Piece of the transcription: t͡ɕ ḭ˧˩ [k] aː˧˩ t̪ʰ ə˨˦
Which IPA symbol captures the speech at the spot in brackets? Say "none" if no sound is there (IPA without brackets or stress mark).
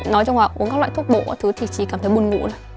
k